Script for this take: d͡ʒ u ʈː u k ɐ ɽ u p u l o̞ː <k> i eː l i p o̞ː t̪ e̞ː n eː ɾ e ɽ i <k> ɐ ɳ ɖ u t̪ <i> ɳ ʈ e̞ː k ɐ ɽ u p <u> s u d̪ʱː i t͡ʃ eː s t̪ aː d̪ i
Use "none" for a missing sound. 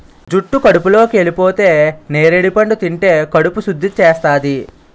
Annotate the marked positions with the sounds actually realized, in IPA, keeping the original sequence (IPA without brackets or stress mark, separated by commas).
k, p, i, u